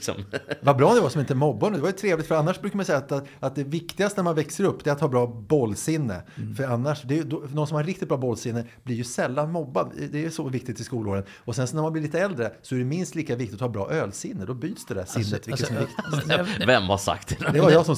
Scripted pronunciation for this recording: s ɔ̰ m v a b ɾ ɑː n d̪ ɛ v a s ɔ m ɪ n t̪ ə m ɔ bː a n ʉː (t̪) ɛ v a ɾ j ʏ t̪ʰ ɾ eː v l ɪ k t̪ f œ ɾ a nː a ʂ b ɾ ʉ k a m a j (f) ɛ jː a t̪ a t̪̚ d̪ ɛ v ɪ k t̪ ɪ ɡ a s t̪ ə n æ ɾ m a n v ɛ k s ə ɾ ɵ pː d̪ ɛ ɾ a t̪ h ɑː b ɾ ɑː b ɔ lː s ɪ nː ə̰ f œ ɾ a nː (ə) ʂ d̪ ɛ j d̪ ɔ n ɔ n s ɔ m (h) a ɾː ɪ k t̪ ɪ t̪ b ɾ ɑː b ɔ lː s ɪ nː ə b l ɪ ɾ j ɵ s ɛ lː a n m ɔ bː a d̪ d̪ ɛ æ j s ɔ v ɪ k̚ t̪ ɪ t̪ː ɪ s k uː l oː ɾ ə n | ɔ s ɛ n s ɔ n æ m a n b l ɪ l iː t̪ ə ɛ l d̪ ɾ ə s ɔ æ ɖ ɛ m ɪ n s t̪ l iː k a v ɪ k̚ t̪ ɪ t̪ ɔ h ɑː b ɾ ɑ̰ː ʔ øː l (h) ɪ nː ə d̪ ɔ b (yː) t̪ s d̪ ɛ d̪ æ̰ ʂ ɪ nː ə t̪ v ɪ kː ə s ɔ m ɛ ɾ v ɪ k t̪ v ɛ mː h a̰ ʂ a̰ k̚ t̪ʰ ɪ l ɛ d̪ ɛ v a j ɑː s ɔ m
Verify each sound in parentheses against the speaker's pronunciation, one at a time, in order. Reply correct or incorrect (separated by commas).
incorrect, incorrect, incorrect, correct, incorrect, correct